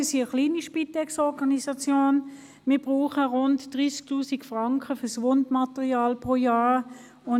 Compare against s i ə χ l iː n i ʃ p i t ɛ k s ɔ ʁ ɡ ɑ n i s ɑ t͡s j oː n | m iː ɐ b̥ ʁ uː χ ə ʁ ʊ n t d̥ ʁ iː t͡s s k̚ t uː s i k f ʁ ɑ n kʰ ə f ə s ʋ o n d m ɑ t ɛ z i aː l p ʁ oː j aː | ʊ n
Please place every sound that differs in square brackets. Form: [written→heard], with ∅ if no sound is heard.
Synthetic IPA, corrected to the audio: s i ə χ l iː n i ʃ p i t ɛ k s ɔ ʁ ɡ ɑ n i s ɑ t͡s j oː n | m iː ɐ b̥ ʁ uː χ ə ʁ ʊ n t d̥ ʁ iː [t͡s→∅] s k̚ t uː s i k f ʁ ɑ [n→ŋ] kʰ ə f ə s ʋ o n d m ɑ t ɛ [z→ʁ] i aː l p ʁ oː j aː | ʊ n